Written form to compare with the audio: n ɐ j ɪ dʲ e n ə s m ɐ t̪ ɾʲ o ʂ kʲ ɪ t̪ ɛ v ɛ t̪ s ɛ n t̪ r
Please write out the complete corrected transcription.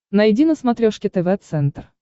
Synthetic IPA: n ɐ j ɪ dʲ i n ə s m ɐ t̪ ɾʲ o ʂ kʲ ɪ t̪ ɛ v ɛ t̪ s ɛ n t̪ r